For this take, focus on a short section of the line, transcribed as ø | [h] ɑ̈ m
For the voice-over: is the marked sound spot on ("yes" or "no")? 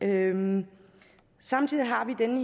no